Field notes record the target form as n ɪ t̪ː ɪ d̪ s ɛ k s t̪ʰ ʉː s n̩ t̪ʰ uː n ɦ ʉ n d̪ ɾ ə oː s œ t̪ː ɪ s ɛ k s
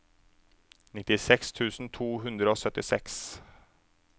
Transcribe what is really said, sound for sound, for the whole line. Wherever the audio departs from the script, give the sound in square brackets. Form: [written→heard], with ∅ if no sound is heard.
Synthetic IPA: n ɪ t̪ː ɪ [d̪→∅] s ɛ k s t̪ʰ ʉː s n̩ t̪ʰ uː [n→∅] ɦ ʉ n d̪ ɾ ə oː s œ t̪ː ɪ s ɛ k s